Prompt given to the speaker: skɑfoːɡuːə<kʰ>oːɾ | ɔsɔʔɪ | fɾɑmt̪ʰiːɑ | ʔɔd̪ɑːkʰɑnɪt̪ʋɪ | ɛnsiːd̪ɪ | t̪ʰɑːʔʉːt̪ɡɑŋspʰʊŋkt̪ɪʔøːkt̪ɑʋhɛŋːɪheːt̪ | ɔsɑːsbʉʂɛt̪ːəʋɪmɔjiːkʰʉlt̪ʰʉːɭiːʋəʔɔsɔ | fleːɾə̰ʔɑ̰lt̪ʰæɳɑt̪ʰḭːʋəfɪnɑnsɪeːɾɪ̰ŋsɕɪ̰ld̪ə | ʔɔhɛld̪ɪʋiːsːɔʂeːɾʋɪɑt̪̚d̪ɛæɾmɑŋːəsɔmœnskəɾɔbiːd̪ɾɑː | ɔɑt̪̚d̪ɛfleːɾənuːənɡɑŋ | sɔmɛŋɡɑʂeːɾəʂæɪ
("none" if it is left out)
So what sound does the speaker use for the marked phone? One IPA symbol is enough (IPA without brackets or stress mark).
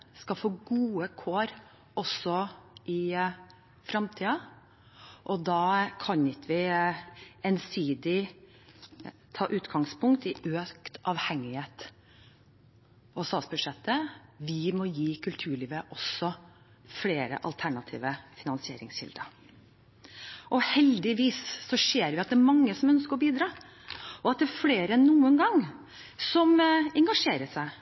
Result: kʰ